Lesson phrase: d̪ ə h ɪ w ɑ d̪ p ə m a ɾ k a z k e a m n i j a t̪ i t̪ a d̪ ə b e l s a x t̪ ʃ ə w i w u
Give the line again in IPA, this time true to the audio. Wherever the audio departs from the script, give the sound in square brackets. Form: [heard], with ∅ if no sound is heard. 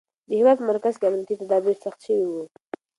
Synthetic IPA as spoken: d̪ ə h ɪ w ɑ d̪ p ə m a ɾ k a z k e a m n i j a t̪ i t̪ a d̪ [ɑ] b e [ɾ] s a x t̪ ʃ ə w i w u